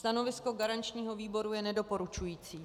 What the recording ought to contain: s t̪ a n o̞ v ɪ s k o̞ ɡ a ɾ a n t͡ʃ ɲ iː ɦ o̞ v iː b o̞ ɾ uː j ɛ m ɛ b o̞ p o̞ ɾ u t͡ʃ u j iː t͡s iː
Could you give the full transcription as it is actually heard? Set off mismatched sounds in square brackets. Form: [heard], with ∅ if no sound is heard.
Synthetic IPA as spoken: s t̪ a n o̞ v ɪ s k o̞ ɡ a ɾ a n t͡ʃ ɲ iː ɦ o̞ v iː b o̞ ɾ [u] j ɛ [n] ɛ [d] o̞ p o̞ ɾ u t͡ʃ u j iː t͡s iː